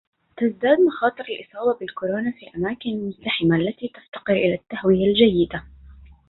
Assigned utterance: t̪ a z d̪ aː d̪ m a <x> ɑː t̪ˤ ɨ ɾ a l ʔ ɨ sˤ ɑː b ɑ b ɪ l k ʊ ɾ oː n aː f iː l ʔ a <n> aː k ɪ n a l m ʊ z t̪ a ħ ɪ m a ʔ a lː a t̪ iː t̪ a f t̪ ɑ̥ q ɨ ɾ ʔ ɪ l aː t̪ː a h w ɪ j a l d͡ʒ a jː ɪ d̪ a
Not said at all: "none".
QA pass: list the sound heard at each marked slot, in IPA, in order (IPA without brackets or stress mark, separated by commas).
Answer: x, m